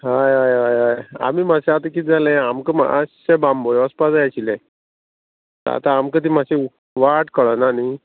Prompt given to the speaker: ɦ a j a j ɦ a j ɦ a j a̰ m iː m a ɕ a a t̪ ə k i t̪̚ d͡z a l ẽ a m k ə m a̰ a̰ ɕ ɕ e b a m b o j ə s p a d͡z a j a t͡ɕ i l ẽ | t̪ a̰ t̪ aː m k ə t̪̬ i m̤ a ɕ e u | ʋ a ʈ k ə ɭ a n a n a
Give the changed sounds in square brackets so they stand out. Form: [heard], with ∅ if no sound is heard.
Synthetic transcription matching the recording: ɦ a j a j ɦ a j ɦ a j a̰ m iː m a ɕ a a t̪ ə k i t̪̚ d͡z a l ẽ a m k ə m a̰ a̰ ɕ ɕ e b a m b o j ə s p a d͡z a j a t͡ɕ i l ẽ | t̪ a̰ t̪ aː m k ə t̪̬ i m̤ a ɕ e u | ʋ a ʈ k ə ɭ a n a n [i]